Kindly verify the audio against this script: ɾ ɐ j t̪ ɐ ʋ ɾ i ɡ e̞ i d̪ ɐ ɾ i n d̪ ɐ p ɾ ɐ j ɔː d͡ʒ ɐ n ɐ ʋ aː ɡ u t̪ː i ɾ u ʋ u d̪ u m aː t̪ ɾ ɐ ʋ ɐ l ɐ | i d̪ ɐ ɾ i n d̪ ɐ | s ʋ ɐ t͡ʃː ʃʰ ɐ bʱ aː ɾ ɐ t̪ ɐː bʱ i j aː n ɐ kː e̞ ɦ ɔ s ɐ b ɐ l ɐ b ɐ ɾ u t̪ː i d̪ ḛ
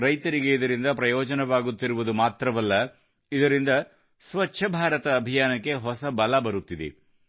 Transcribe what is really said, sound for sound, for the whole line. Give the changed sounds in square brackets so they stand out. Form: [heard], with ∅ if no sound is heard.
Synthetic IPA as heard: ɾ ɐ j t̪ ɐ [∅] ɾ i ɡ e̞ i d̪ ɐ ɾ i n d̪ ɐ p ɾ ɐ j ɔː d͡ʒ ɐ n ɐ ʋ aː ɡ u t̪ː i ɾ u ʋ u d̪ u m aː t̪ ɾ ɐ ʋ ɐ [lː] ɐ | i d̪ ɐ ɾ i n d̪ ɐ | s ʋ ɐ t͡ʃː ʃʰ ɐ bʱ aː ɾ ɐ t̪ ɐː bʱ i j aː n ɐ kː e̞ ɦ ɔ s ɐ b ɐ l ɐ b ɐ ɾ u t̪ː i d̪ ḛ